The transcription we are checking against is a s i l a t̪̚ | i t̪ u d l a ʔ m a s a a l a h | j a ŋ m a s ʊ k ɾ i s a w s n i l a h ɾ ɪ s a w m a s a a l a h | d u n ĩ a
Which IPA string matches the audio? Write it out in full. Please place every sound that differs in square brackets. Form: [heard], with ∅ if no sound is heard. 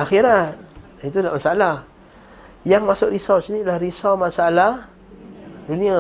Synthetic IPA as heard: a [x] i [ɾ] a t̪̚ | i t̪ u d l a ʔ m a s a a l a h | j a ŋ m a s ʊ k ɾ i s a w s n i l a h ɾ [i] s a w m a s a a l a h | d u n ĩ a